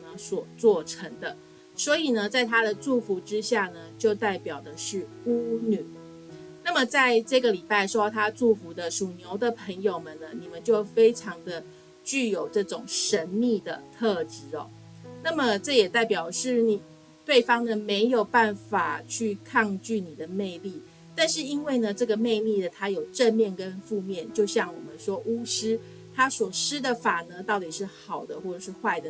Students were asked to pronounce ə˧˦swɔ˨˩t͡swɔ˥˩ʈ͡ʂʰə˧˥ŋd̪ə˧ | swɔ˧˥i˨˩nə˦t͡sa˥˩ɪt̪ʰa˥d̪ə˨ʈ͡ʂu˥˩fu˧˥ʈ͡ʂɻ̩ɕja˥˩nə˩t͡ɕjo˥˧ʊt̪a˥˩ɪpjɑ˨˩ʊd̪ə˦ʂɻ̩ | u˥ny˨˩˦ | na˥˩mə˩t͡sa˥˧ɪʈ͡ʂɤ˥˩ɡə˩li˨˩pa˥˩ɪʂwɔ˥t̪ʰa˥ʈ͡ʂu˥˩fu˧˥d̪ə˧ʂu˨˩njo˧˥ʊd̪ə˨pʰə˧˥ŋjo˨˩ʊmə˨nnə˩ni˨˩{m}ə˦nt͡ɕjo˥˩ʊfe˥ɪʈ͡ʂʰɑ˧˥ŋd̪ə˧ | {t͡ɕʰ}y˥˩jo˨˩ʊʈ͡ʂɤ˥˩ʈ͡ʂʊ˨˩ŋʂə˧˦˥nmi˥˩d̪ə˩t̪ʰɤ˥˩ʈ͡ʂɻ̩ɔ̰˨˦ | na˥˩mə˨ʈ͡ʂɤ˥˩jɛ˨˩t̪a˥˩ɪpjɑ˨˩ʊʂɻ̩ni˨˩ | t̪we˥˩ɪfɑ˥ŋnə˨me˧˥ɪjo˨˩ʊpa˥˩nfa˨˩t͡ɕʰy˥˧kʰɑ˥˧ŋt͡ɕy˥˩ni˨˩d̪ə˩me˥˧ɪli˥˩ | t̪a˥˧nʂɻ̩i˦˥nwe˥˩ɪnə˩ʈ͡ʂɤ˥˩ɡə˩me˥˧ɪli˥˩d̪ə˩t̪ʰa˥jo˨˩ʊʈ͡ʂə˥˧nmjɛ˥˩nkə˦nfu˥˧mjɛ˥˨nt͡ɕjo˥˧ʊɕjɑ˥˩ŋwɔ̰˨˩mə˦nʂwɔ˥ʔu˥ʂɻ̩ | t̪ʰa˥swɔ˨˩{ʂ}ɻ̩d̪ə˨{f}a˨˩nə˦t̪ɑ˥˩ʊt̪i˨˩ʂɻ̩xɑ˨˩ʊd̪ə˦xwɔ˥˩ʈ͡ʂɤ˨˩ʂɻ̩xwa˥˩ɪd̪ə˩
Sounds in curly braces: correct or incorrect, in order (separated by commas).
correct, incorrect, correct, correct